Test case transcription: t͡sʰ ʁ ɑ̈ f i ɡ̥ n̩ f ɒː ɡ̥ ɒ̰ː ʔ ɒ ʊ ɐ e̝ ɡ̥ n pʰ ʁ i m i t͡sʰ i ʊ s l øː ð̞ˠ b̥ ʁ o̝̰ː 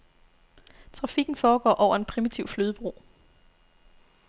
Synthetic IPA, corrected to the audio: t͡sʰ ʁ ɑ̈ f i ɡ̥ n̩ f ɒː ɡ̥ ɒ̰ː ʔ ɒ ʊ ɐ e̝ n pʰ ʁ i m i t͡sʰ i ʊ f l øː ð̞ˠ b̥ ʁ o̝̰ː